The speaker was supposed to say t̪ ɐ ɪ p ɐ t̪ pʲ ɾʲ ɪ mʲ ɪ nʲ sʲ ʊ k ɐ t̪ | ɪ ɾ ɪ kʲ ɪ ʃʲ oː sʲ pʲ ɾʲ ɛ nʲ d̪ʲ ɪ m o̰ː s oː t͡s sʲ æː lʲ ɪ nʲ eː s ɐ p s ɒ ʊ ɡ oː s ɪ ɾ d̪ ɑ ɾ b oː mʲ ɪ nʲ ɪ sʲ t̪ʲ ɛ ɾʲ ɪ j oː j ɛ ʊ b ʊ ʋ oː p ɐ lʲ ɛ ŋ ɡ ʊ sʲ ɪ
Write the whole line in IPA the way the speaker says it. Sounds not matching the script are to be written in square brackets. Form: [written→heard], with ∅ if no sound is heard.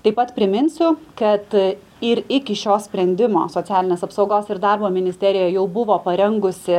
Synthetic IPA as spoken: t̪ ɐ ɪ p ɐ t̪ pʲ ɾʲ ɪ mʲ ɪ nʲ sʲ ʊ k ɐ t̪ | ɪ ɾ ɪ kʲ ɪ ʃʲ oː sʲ pʲ ɾʲ ɛ nʲ d̪ʲ ɪ m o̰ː s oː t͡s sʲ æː lʲ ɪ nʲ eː s ɐ p s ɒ ʊ ɡ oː s ɪ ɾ d̪ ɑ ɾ b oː mʲ ɪ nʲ ɪ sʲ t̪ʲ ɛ ɾʲ ɪ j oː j ɛ ʊ b ʊ ʋ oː p ɐ [lʲ→ɾʲ] ɛ ŋ ɡ ʊ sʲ ɪ